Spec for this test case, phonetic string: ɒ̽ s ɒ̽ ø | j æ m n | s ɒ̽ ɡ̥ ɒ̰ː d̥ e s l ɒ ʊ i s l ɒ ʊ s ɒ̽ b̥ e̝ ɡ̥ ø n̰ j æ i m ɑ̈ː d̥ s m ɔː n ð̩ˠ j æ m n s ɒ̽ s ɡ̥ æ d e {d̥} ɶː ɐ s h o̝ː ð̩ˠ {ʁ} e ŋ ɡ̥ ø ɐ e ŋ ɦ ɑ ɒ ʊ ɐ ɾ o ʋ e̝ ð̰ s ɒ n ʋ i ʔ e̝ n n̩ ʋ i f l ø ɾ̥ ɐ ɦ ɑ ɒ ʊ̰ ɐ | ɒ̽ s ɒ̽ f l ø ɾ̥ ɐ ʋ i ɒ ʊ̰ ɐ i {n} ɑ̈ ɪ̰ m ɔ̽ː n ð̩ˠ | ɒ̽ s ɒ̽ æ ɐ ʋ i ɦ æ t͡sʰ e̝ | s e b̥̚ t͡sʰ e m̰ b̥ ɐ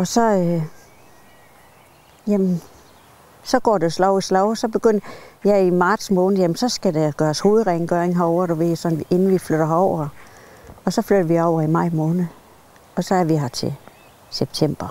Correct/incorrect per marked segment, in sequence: incorrect, correct, incorrect

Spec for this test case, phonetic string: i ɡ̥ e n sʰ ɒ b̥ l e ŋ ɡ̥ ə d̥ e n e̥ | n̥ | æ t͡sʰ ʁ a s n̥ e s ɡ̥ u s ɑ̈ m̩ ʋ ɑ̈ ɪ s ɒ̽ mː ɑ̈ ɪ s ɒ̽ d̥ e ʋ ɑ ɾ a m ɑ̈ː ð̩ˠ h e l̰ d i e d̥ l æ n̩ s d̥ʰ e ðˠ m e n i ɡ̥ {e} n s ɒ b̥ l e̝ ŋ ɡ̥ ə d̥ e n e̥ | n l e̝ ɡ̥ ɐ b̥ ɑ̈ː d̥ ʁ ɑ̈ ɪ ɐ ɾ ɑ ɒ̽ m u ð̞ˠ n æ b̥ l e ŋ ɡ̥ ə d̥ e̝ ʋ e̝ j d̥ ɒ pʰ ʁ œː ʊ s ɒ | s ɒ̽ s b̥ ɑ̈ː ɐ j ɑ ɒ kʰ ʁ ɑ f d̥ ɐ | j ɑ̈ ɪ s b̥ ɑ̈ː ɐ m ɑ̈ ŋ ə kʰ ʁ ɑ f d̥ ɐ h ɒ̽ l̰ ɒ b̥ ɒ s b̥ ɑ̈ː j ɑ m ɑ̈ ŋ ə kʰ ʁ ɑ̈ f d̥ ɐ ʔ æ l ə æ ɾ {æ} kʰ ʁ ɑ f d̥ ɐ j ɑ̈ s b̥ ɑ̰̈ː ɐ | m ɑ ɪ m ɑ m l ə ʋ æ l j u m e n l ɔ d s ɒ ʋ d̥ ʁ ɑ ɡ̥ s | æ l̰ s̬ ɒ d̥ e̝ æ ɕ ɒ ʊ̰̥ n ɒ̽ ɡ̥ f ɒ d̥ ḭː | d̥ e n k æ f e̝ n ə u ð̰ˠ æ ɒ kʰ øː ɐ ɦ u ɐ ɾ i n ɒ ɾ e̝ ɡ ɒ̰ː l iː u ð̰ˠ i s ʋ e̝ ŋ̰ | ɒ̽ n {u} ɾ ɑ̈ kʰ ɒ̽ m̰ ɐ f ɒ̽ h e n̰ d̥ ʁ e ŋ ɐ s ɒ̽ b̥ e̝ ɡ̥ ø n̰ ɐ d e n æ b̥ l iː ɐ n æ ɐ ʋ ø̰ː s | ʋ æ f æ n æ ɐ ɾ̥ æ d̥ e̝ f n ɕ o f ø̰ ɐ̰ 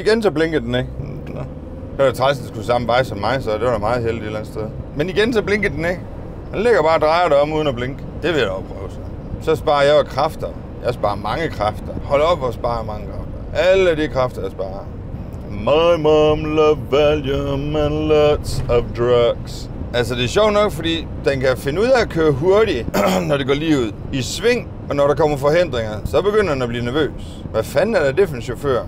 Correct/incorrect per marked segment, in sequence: correct, incorrect, incorrect

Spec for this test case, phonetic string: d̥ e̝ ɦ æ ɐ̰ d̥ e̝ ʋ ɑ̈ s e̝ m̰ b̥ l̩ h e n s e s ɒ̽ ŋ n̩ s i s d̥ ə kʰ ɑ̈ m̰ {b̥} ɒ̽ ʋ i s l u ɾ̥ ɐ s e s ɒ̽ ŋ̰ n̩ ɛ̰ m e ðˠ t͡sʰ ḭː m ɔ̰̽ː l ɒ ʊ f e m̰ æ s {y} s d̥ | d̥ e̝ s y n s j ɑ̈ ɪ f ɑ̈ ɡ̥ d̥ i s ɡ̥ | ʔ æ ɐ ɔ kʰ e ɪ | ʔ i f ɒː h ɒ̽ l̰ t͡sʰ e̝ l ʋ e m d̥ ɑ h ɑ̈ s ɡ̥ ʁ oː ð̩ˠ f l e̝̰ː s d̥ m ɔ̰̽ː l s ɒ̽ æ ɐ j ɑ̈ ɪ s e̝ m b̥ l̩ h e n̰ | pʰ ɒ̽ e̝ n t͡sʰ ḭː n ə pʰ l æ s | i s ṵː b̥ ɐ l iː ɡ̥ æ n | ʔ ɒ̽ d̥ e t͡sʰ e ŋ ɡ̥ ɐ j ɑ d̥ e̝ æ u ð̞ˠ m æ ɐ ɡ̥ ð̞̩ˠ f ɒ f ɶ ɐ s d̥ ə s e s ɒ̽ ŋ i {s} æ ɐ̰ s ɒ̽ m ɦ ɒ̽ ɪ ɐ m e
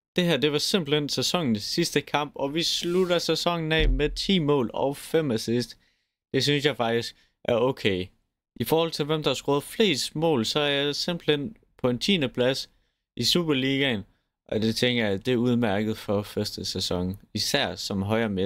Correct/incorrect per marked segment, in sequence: correct, incorrect, correct

